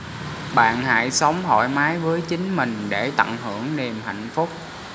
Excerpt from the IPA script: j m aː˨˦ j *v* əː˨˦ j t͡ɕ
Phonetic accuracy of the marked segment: correct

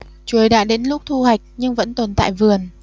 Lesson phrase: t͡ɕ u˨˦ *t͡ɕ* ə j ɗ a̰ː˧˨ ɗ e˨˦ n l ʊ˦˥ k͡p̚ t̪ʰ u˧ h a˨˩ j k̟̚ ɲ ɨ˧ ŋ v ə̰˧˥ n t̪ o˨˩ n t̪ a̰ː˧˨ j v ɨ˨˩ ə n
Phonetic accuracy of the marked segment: incorrect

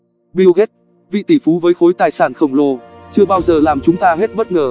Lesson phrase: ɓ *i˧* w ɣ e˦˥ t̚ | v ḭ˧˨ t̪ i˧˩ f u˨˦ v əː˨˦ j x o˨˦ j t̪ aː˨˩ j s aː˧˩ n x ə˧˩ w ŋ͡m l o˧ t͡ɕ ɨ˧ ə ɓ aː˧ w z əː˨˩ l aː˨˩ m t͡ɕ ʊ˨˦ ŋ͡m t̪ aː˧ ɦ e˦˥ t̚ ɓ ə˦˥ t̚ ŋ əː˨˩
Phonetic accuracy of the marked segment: correct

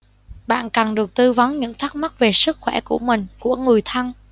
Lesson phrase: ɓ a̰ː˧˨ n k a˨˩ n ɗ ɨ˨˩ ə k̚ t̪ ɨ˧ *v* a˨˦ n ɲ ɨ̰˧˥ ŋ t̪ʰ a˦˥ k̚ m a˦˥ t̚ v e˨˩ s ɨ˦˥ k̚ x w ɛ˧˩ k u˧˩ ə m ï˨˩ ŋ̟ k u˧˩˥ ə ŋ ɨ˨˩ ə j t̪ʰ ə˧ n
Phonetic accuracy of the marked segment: correct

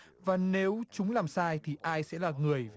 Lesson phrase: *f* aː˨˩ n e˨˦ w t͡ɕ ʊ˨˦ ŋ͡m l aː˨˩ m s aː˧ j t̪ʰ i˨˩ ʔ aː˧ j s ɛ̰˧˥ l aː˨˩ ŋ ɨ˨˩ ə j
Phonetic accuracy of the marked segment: incorrect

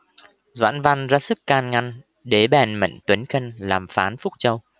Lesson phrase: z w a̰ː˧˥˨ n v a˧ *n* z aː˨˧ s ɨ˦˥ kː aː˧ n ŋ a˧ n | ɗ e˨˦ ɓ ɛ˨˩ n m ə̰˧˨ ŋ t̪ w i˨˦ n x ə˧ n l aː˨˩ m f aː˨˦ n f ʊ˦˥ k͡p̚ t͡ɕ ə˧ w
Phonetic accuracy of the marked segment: correct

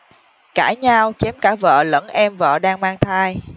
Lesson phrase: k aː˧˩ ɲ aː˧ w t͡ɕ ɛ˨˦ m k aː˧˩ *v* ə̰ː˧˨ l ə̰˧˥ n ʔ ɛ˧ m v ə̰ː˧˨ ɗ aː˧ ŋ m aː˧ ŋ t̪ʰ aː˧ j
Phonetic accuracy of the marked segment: correct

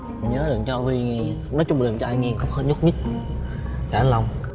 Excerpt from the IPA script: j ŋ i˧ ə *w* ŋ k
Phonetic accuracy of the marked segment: incorrect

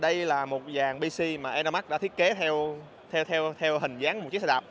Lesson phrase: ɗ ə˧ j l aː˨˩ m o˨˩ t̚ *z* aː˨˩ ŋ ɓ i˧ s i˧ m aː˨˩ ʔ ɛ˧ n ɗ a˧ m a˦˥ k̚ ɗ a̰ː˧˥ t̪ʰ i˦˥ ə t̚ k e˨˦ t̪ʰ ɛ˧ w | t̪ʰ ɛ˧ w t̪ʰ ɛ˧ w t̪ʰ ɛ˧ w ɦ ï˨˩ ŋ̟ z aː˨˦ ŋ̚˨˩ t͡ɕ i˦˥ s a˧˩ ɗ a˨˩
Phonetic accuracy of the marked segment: correct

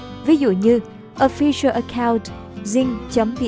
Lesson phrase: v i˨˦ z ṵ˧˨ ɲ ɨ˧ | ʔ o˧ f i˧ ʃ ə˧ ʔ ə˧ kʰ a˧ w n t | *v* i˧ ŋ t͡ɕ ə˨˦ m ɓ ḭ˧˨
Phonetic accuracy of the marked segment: incorrect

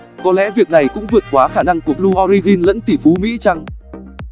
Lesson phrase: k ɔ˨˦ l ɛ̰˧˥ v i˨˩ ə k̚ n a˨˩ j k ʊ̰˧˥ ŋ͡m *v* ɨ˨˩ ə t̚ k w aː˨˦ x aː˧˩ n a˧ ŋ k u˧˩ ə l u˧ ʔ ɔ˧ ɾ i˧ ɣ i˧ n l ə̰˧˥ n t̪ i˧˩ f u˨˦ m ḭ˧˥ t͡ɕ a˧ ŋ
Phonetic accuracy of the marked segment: correct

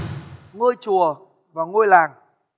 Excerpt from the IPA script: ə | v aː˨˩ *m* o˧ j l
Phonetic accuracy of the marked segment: incorrect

